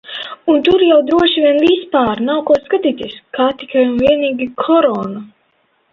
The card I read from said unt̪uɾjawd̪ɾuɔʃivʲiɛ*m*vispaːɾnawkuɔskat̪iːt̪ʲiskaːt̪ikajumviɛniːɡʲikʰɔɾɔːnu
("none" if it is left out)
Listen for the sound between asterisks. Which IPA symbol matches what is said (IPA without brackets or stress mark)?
n